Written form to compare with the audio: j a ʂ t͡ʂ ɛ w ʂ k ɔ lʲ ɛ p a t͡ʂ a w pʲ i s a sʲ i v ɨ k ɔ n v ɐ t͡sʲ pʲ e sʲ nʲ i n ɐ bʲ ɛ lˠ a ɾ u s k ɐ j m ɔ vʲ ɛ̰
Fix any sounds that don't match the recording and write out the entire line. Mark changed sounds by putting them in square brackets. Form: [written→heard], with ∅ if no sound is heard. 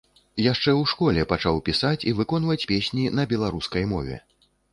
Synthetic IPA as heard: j a ʂ t͡ʂ ɛ w ʂ k ɔ lʲ ɛ p a t͡ʂ a w pʲ i s a [sʲ→t͡sʲ] i v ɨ k ɔ n v ɐ t͡sʲ pʲ e sʲ nʲ i n ɐ bʲ ɛ lˠ a ɾ u s k ɐ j m ɔ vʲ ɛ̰